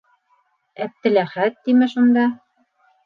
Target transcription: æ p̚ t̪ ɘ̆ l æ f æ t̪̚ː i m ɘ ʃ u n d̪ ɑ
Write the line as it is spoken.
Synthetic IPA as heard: æ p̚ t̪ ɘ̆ l æ χ æ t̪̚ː i m ɘ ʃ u n d̪ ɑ